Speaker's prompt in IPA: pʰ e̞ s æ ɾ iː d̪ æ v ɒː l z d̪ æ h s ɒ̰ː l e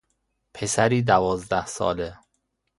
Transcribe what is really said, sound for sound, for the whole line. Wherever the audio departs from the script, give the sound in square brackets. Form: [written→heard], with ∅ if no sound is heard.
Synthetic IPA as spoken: pʰ e̞ s æ ɾ iː d̪ æ v ɒː [l→∅] z d̪ æ h s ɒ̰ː l e